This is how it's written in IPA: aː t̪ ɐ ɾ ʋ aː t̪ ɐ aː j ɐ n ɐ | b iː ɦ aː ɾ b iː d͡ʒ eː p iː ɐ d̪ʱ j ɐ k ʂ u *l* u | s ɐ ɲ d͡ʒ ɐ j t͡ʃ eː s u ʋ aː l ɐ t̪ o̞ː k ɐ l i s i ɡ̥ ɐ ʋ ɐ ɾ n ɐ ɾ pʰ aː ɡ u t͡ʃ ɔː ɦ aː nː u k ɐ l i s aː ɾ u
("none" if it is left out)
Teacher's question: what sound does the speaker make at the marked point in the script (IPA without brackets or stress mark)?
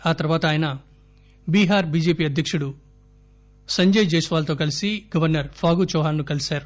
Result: ɽ